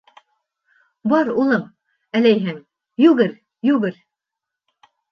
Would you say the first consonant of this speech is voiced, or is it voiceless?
voiced